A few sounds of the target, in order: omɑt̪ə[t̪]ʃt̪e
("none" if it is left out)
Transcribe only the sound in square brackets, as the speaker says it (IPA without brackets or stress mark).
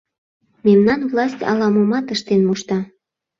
none